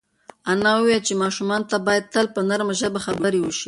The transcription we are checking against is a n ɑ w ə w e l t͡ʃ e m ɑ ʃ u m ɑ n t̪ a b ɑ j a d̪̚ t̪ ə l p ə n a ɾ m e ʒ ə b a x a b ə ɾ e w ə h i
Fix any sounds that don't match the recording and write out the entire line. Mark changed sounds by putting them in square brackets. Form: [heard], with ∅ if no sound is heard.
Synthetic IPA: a n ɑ w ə w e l t͡ʃ e m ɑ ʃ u m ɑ n t̪ a b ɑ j a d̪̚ t̪ ə l p ə n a ɾ m [a] ʒ ə b a x a b ə ɾ e w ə [ʃ] i